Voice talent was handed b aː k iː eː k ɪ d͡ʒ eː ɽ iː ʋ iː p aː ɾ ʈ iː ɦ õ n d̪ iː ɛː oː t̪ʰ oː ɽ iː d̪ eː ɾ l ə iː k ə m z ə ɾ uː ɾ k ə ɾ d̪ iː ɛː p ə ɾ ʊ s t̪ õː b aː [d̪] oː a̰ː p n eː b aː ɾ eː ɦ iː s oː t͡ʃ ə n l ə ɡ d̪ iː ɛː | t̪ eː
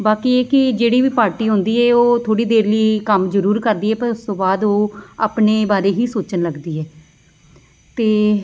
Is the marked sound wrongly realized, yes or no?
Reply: no